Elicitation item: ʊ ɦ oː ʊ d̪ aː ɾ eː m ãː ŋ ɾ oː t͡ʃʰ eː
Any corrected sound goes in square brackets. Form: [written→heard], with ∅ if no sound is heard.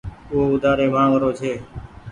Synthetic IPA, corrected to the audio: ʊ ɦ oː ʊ d̪ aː ɾ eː m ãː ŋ ɾ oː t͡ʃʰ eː